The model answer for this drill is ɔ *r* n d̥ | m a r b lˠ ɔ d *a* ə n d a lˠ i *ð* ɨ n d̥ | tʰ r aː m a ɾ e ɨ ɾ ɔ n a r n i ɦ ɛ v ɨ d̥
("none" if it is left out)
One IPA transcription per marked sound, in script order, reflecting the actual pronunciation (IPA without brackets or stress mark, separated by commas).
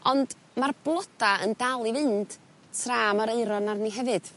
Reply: none, a, v